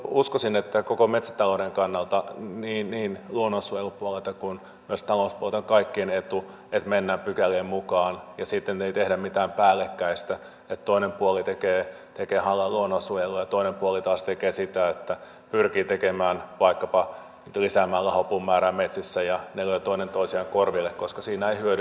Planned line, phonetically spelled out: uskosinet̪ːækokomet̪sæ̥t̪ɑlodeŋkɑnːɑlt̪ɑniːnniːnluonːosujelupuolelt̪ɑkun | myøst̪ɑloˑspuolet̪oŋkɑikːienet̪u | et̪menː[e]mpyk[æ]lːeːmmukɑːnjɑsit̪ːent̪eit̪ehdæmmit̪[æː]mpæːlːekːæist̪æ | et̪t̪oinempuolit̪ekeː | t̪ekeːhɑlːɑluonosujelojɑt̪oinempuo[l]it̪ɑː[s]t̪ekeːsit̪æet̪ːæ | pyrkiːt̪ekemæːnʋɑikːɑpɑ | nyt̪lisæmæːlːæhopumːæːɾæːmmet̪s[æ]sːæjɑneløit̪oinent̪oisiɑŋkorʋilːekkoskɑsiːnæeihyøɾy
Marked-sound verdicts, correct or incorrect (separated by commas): incorrect, correct, correct, correct, correct, incorrect